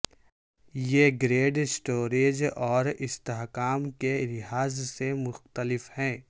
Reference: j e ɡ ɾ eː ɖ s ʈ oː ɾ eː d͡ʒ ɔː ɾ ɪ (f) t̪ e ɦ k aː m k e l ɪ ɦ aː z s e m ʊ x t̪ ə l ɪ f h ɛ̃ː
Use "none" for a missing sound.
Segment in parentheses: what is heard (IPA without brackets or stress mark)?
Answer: s